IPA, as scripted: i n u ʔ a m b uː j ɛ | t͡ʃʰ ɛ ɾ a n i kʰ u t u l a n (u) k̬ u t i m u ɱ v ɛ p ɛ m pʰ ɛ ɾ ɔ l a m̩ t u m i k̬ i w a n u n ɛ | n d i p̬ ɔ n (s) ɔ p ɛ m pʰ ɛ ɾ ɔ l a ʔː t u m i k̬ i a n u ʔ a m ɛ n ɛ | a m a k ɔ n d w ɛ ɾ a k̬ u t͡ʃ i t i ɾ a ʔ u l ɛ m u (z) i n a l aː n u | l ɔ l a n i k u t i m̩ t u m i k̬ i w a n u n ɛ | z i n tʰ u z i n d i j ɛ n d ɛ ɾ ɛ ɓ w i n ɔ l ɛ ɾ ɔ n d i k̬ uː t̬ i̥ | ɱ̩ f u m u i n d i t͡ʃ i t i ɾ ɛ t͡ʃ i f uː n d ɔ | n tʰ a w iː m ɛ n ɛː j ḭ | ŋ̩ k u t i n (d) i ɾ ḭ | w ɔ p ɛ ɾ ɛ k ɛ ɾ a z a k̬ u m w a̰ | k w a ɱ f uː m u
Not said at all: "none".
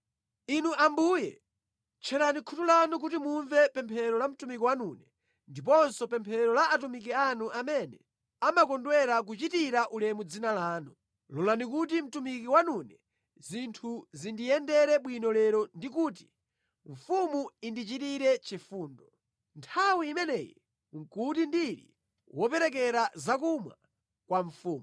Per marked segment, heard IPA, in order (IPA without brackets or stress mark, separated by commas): u, s, d͡z, d